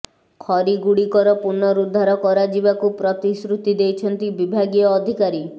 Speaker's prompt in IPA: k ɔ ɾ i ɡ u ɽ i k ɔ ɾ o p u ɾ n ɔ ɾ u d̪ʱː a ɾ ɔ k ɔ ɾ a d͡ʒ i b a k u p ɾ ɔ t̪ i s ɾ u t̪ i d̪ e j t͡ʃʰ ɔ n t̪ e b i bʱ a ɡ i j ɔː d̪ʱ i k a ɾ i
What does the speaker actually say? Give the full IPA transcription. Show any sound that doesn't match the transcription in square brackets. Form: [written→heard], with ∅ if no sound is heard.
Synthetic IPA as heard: [k→kʰ] ɔ ɾ i ɡ u ɽ i k ɔ ɾ [o→ɔ] p u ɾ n ɔ ɾ u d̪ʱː a ɾ ɔ k ɔ ɾ a d͡ʒ i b a k u p ɾ ɔ t̪ i s ɾ u t̪ i d̪ e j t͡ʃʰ ɔ n t̪ [e→i] b i bʱ a ɡ i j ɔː d̪ʱ i k a ɾ i